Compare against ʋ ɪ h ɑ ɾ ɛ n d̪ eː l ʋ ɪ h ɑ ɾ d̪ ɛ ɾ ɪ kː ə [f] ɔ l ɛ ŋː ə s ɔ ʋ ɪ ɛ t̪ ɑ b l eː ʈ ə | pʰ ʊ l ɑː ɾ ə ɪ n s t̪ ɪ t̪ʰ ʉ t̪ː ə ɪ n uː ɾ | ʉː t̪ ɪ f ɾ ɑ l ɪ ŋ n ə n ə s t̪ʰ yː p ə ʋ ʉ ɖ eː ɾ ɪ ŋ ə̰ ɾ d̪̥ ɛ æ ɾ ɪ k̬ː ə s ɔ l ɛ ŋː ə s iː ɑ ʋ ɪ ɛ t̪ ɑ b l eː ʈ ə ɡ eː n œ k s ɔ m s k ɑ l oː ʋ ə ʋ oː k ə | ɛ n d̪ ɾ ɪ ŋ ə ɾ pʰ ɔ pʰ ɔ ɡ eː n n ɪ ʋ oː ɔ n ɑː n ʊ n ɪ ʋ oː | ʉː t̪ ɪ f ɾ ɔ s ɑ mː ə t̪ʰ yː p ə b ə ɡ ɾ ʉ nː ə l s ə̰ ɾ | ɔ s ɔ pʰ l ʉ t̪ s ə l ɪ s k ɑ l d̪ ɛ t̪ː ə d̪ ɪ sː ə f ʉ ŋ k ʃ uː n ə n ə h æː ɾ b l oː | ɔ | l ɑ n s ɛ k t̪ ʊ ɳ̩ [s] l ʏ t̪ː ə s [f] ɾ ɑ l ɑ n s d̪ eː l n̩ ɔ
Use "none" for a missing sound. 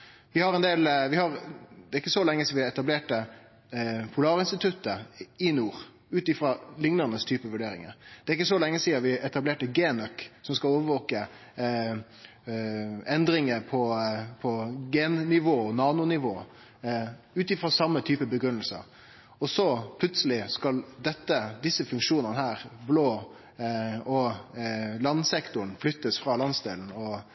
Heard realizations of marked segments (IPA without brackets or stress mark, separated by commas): s, f, f